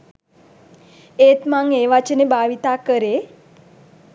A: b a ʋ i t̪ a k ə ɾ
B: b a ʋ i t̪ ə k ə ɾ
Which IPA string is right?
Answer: A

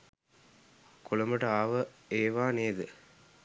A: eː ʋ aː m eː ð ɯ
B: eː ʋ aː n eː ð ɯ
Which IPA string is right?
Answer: B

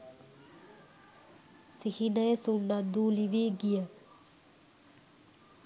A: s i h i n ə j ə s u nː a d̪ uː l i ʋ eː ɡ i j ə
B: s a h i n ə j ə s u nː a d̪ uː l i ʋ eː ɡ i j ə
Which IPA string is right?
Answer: A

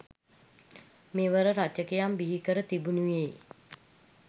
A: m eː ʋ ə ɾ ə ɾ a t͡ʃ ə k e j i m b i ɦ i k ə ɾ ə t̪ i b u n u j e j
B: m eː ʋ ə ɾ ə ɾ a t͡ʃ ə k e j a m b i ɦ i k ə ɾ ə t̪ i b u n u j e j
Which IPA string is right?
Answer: B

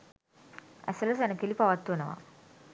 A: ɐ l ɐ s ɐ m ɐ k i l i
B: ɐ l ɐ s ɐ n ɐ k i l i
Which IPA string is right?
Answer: B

